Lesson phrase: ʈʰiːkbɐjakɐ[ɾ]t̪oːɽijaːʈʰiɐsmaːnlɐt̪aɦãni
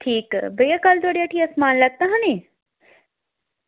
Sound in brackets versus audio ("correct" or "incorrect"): incorrect